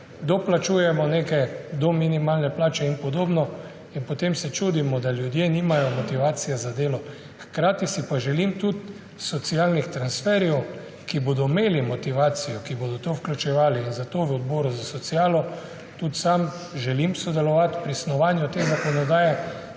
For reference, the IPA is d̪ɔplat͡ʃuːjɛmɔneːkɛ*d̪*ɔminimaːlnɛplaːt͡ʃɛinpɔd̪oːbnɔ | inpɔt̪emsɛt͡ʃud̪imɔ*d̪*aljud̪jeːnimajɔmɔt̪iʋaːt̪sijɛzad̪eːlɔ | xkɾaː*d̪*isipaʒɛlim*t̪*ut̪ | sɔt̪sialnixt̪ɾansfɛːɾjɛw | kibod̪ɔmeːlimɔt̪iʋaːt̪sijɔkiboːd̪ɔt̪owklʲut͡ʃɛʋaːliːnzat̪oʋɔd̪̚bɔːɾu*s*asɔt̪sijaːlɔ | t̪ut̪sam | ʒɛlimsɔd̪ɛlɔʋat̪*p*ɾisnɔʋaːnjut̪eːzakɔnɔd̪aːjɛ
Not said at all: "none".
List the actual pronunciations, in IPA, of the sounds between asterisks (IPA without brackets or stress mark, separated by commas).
d̪, d̪, t̪, t̪, z, p